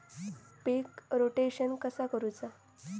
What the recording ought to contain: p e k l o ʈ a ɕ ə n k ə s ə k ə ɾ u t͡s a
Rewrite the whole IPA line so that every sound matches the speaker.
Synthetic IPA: p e k ɾ o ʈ e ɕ ə n k ə s a k ə ɾ u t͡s a